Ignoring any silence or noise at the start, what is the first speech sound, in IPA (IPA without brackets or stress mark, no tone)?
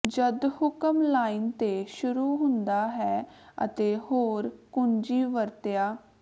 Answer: d͡ʒ